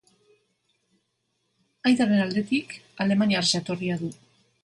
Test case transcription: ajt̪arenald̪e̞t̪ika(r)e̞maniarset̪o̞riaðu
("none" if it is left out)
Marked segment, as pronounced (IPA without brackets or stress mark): l